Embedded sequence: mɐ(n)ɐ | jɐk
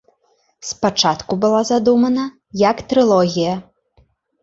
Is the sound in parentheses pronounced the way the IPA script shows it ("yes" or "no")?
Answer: yes